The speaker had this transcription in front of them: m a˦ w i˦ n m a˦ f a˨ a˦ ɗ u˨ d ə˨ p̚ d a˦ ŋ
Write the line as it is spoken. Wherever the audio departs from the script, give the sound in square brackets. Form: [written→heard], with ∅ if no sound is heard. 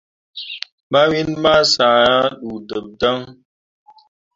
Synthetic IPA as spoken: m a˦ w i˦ n m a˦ [f→s] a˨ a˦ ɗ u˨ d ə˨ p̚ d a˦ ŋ